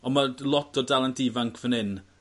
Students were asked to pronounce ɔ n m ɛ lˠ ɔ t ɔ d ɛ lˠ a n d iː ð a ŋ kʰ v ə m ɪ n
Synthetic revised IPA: ɔ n m a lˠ ɔ t ɔ d a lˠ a n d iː v a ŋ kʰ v ə n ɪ n